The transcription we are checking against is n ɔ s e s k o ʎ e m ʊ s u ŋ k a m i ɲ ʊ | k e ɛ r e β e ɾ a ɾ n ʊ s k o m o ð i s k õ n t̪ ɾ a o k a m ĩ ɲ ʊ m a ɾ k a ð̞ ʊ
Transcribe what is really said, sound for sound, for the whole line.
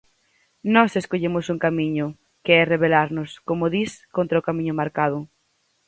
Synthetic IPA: n ɔ s e s k o ʎ e m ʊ s u ŋ k a m i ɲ ʊ | k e ɛ r e β e l a ɾ n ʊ s k o m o ð i s k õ n t̪ ɾ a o k a m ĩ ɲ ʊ m a ɾ k a ð̞ ʊ